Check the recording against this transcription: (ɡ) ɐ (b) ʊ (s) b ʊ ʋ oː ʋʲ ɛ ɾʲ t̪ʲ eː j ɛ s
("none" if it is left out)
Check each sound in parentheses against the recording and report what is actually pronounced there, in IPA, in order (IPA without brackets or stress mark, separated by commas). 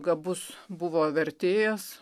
ɡ, b, s